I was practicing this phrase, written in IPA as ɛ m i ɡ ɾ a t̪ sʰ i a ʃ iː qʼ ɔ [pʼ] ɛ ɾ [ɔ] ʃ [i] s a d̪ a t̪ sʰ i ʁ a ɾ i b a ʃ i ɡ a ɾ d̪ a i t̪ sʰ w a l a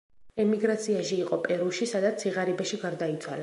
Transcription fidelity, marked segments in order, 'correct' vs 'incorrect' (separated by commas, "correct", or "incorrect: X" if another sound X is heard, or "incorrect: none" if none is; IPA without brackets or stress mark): correct, incorrect: u, correct